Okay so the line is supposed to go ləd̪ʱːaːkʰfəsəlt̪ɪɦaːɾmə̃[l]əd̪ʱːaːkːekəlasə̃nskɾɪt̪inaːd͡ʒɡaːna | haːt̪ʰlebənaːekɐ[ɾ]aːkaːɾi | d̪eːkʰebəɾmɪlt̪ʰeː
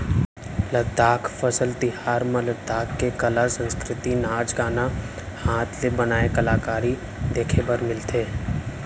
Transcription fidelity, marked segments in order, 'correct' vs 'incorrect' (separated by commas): correct, incorrect